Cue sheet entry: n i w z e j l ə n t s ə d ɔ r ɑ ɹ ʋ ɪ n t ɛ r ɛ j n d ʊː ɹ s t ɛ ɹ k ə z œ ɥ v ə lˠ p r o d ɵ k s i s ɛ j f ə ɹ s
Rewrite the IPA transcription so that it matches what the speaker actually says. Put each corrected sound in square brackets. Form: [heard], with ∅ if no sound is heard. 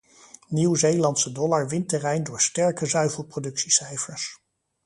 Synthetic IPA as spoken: n i w z e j l [ɑ] n t s ə d ɔ [l] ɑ ɹ ʋ ɪ n t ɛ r ɛ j n d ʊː ɹ s t ɛ ɹ k ə z œ ɥ v ə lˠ p r o d ɵ k s i s ɛ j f ə ɹ s